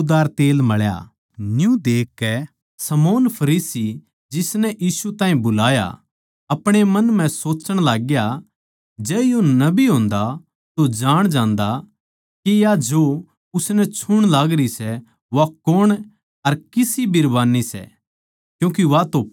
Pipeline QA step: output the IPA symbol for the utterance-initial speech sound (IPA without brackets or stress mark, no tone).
d̪